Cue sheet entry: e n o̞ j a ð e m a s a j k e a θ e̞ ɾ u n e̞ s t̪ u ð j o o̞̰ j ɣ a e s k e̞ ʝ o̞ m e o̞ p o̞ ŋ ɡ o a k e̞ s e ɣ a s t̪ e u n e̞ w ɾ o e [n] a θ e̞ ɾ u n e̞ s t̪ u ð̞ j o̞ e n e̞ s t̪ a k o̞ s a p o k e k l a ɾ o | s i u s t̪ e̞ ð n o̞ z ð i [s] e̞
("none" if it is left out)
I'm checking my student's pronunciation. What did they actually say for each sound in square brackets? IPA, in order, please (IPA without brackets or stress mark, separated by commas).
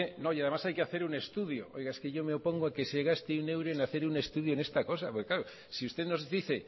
n, θ